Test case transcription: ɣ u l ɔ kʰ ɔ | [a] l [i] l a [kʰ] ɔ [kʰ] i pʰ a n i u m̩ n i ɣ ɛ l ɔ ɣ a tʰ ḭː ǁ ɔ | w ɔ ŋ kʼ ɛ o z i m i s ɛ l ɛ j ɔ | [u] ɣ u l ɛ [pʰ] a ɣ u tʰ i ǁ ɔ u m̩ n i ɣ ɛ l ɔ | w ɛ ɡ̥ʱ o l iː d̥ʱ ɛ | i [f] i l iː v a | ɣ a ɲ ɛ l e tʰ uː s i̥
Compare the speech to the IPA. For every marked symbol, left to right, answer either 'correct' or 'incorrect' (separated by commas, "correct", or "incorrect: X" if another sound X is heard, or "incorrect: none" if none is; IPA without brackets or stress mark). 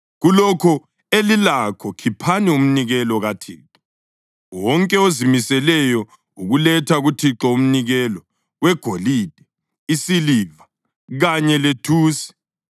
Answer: incorrect: e, correct, correct, correct, correct, incorrect: tʰ, incorrect: s